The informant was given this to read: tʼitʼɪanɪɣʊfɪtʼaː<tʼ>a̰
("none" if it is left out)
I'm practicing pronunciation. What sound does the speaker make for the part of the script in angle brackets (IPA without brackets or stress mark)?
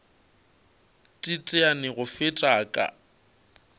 kʼ